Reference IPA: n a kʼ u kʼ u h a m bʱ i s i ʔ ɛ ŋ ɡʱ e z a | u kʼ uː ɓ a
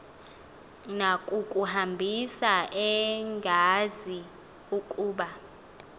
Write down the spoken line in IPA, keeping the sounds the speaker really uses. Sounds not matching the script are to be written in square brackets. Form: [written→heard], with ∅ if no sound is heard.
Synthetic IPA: n a kʼ u kʼ u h a m bʱ i s [i→a] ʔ ɛ ŋ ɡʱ [e→a] z [a→i] | u kʼ uː ɓ a